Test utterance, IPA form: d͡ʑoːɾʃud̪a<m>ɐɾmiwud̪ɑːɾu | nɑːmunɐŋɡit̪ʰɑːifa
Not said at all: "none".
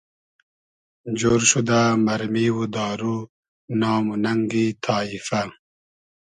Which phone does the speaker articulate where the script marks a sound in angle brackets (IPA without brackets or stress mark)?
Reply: m